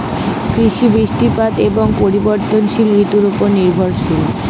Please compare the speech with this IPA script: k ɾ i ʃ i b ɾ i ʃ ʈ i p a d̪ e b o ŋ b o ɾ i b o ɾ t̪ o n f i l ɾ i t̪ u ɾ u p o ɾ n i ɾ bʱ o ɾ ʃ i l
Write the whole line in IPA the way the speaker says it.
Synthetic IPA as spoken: k ɾ i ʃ i b ɾ i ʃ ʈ i p a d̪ e b o ŋ p o ɾ i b o ɾ t̪ o n ʃ i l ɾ i t̪ u ɾ u p o ɾ n i ɾ bʱ o ɾ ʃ i l